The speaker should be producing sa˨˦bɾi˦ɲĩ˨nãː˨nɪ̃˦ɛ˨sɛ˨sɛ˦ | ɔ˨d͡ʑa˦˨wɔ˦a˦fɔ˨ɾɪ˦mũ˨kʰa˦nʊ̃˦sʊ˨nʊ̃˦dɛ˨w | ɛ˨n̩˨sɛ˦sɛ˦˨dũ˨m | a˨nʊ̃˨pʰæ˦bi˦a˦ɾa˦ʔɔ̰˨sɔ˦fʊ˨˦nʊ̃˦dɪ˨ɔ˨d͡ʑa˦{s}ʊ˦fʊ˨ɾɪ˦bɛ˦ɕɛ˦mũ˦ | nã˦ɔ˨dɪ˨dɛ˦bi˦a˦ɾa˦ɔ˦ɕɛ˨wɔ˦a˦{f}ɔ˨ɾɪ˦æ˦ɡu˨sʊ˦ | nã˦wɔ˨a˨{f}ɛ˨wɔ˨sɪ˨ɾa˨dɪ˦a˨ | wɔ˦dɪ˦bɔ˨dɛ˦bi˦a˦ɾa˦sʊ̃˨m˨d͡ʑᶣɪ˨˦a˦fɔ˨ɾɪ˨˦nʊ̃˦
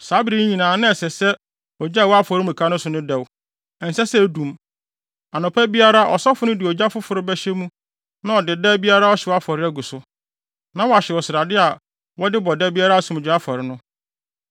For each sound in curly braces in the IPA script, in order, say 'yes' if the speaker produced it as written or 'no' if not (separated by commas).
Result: no, yes, no